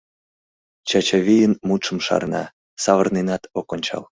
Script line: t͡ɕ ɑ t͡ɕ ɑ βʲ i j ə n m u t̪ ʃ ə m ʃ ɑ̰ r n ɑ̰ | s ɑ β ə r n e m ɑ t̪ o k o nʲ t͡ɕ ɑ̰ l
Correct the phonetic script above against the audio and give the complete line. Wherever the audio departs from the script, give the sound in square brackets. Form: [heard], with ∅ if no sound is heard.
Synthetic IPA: t͡ɕ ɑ t͡ɕ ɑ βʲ i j ə n m u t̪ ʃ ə m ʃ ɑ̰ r n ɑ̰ | s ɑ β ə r n e [n] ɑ t̪ o k o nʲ t͡ɕ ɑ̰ l